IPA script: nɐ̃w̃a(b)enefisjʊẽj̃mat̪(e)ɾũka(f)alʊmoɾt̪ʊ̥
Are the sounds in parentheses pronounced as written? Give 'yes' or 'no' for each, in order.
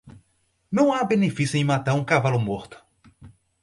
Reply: yes, no, no

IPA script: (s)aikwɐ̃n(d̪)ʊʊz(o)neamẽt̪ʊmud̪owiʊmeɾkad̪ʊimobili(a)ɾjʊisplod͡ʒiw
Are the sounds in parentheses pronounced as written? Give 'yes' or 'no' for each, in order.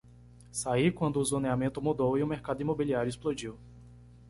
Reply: yes, yes, yes, yes

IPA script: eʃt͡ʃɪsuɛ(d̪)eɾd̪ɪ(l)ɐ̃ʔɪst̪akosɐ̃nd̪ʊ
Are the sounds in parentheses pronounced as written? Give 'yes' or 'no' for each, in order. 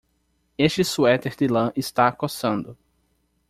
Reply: no, yes

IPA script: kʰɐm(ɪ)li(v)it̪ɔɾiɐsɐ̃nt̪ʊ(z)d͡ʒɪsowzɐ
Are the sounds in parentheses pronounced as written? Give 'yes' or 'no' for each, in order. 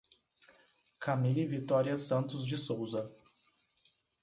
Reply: no, yes, yes

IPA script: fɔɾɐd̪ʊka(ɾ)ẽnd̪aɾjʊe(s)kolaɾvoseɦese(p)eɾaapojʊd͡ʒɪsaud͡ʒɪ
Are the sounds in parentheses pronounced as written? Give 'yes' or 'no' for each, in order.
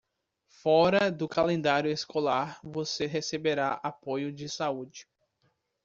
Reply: no, yes, no

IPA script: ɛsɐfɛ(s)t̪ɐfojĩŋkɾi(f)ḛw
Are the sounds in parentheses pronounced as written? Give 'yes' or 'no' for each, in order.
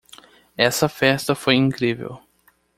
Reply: yes, no

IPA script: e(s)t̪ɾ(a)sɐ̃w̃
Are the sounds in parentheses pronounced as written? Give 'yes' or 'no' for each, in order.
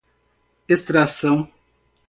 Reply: yes, yes

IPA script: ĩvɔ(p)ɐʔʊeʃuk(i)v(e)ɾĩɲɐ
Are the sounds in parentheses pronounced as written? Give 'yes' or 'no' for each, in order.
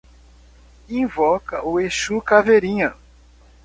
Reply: no, no, yes

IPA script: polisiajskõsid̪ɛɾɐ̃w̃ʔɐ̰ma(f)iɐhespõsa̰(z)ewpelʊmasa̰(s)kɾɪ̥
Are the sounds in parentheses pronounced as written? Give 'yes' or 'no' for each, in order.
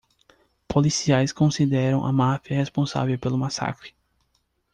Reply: yes, no, no

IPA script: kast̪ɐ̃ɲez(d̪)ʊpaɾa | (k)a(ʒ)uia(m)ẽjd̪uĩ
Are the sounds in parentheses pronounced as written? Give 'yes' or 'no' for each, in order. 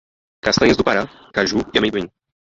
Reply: yes, yes, yes, yes

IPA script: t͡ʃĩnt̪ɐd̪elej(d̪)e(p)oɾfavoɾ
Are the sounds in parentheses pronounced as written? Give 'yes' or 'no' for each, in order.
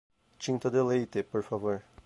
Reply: no, yes

